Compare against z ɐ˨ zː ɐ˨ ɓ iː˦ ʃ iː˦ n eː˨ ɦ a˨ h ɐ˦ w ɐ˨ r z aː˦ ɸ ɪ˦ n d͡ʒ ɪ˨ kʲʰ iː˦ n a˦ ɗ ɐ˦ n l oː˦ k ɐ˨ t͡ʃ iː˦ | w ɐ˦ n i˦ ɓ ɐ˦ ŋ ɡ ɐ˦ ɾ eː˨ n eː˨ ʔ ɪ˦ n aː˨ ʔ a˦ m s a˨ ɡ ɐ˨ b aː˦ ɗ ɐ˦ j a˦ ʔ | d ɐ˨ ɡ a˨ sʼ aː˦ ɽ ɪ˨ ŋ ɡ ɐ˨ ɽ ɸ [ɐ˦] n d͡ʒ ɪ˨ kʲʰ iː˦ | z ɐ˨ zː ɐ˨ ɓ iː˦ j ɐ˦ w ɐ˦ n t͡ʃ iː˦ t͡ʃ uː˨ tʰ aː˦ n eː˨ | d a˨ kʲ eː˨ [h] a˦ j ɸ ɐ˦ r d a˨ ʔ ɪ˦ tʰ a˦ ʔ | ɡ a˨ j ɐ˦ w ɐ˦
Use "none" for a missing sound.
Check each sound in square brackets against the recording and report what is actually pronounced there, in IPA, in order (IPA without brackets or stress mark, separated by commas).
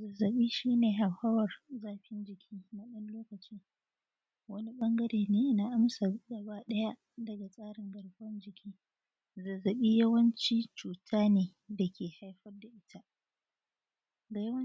ɐ˦, h